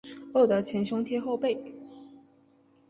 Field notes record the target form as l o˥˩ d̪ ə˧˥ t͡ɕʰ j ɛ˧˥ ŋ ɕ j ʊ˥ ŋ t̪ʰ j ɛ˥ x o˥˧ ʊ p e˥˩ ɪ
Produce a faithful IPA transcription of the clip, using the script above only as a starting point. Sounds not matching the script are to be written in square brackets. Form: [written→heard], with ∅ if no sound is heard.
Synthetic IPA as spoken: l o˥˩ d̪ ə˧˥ t͡ɕʰ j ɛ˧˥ [ŋ→n] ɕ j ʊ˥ ŋ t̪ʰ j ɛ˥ x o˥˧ ʊ p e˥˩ ɪ